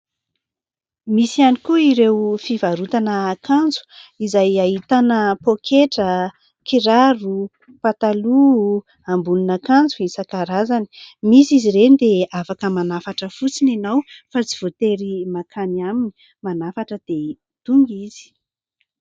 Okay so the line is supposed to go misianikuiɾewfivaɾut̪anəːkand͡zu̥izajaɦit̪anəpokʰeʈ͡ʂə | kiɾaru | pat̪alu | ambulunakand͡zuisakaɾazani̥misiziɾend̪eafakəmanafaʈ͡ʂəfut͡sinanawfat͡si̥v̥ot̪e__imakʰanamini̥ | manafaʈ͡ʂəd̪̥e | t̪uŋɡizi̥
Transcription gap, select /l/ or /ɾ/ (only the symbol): ɾ